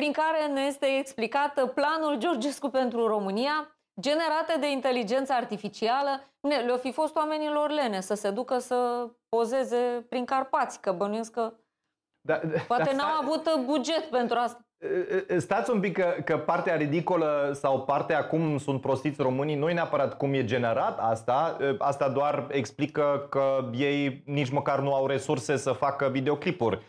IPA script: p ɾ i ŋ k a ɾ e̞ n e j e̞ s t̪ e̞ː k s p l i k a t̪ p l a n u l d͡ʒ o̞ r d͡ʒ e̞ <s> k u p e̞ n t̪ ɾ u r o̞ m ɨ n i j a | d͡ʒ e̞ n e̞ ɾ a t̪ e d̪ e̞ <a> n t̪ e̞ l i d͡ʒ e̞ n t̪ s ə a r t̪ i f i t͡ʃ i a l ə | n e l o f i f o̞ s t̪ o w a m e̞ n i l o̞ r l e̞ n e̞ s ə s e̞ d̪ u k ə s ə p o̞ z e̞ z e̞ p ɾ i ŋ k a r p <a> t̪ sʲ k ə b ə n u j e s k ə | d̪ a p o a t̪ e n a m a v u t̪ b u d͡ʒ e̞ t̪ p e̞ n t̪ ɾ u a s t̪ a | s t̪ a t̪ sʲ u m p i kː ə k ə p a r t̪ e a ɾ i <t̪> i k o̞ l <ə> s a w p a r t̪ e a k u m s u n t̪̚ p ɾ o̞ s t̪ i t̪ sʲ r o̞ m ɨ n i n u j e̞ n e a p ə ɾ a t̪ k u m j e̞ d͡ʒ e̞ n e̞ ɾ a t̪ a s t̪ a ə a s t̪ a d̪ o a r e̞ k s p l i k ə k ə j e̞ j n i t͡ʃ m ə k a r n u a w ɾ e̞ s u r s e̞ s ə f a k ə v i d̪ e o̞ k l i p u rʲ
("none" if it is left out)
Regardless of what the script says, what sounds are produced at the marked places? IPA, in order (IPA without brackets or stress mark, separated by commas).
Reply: s, i, a, d̪, ə